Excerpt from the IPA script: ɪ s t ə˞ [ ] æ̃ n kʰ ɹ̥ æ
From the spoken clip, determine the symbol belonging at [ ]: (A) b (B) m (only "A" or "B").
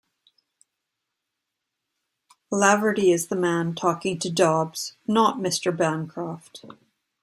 A